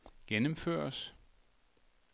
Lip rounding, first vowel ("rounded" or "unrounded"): unrounded